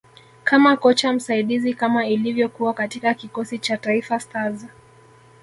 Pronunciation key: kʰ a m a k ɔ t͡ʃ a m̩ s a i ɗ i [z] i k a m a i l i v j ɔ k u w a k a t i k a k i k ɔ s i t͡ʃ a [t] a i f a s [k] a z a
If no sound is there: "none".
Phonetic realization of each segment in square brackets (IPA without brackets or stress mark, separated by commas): z, t, t